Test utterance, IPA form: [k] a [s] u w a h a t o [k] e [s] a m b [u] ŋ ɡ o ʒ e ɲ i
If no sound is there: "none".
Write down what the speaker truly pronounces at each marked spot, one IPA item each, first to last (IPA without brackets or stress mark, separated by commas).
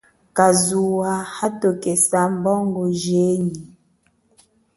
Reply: k, z, k, s, ɔ